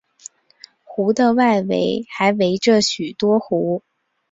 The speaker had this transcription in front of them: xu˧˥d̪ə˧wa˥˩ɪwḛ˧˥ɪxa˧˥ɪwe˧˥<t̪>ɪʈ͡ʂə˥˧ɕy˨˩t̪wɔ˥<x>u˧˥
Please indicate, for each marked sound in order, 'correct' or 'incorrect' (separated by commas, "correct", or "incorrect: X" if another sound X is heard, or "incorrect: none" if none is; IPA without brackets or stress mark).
incorrect: none, correct